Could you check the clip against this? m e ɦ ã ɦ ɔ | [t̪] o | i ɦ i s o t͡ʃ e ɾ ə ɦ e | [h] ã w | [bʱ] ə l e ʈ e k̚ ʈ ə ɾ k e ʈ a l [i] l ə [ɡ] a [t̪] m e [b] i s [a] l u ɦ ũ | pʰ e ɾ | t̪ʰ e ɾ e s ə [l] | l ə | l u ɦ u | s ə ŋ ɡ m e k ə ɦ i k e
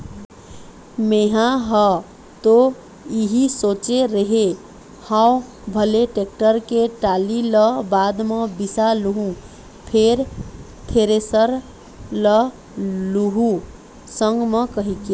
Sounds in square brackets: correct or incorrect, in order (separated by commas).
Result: correct, correct, correct, correct, incorrect, incorrect, correct, correct, incorrect